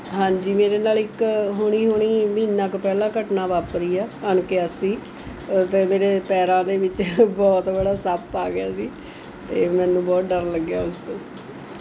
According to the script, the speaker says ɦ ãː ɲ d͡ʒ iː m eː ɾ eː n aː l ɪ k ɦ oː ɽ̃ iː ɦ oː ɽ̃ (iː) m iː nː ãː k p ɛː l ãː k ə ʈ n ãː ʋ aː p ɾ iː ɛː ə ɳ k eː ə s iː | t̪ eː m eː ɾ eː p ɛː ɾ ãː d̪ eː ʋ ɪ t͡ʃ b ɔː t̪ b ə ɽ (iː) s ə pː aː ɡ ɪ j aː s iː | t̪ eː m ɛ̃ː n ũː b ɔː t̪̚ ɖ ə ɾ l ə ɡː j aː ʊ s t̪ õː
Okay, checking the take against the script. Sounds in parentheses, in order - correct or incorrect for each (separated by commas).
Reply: correct, incorrect